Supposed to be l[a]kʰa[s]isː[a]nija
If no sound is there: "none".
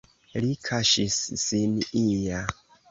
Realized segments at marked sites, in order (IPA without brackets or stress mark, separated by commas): i, ʃ, i